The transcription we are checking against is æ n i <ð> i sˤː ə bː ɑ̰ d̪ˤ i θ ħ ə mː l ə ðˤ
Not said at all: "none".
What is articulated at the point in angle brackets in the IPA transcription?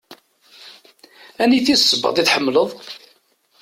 θ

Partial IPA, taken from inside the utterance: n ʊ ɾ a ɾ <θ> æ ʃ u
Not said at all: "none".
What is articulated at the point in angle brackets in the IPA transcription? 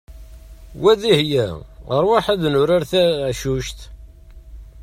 θ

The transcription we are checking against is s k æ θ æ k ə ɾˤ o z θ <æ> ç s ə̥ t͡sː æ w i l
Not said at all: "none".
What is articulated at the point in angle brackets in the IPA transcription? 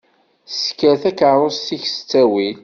i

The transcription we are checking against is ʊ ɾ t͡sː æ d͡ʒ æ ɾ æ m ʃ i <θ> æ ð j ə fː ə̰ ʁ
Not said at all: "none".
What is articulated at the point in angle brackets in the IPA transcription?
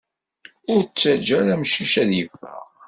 ʃ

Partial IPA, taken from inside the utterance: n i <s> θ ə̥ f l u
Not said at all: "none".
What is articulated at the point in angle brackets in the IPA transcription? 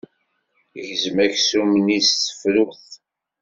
s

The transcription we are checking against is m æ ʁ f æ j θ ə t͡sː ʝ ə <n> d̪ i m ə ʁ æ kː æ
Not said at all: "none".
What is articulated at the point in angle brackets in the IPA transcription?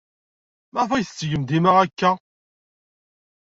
m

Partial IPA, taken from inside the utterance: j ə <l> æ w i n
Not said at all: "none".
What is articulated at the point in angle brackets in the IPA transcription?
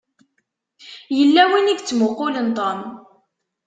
lː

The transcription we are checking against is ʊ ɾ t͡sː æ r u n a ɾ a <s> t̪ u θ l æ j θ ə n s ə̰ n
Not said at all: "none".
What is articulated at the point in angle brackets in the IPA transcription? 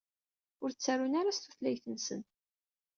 s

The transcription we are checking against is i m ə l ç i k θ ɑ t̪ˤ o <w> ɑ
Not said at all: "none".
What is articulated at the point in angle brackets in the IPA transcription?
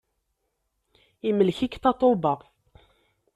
b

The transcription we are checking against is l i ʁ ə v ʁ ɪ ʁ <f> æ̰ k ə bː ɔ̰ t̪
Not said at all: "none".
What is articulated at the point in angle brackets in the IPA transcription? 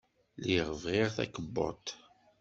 θ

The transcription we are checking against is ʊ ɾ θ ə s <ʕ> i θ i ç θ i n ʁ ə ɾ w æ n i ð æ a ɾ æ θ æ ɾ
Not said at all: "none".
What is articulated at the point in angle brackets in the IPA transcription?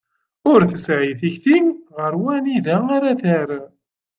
ʕ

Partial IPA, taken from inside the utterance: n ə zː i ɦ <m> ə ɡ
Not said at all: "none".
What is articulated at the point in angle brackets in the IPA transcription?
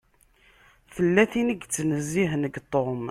n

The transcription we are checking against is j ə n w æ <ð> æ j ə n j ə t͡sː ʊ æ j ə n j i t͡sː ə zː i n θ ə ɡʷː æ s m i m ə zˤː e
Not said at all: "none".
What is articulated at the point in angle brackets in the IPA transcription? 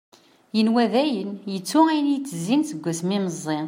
ð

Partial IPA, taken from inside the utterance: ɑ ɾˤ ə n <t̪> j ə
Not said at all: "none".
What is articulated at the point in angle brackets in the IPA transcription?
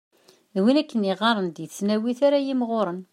d̪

